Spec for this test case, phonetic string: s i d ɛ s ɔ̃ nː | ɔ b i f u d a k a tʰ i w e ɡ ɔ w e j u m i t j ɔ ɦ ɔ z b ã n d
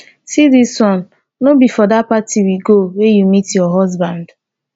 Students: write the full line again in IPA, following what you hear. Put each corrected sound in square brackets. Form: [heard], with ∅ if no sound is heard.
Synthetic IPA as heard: s i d [i] s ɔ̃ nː | [o] b i f [ɔ] d a [p] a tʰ i w [i] ɡ [o] w e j u m i t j ɔ ɦ ɔ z b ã n d